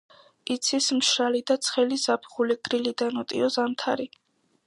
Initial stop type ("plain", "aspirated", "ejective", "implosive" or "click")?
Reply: plain